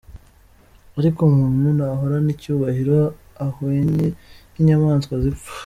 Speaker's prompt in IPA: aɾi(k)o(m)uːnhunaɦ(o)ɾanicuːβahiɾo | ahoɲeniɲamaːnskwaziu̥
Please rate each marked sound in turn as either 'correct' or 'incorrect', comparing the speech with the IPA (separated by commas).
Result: correct, correct, correct